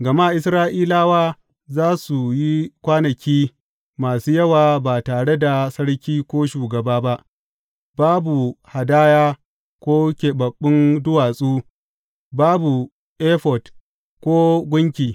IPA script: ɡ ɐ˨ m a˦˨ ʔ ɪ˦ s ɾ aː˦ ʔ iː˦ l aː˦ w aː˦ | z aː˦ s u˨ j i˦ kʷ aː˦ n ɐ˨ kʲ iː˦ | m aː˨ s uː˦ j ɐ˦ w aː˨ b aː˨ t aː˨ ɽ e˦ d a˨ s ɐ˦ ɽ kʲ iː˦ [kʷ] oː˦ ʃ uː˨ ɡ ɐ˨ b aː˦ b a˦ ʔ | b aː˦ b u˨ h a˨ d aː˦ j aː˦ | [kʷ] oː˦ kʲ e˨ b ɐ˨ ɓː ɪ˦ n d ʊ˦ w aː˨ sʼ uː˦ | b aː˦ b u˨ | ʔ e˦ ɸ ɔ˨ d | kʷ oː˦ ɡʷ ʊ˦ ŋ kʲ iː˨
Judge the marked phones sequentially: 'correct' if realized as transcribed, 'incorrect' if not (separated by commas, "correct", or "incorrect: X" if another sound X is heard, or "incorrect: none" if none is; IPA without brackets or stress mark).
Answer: correct, correct